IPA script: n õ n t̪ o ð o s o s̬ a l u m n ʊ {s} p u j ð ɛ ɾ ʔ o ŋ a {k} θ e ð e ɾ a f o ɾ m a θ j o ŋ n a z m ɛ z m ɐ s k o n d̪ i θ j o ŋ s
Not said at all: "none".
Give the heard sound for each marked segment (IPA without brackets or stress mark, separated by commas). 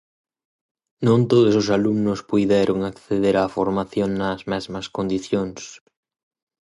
s, k